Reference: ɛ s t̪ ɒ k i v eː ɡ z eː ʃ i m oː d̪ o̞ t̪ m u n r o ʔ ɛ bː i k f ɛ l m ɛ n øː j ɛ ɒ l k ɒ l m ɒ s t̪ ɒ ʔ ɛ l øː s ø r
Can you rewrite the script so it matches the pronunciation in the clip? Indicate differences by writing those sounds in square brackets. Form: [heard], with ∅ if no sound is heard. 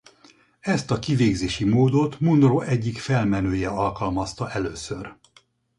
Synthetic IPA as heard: ɛ s t̪ ɒ k i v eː ɡ z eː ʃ i m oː d̪ o̞ t̪ m u n r o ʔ ɛ [ɟː] i k f ɛ l m ɛ n øː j ɛ ɒ l k ɒ l m ɒ s t̪ ɒ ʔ ɛ l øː s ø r